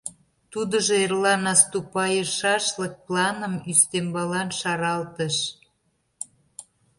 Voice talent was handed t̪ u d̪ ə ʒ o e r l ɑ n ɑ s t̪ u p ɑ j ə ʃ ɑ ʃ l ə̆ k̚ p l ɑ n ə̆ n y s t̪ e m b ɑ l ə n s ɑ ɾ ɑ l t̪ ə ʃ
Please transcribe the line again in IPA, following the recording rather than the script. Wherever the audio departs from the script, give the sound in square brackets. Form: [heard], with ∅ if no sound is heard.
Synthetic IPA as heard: t̪ u d̪ ə ʒ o e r l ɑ n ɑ s t̪ u p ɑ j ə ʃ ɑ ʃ l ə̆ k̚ p l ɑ n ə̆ [m] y s t̪ e m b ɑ l [ɑ] n [ʃ] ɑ ɾ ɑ l t̪ ə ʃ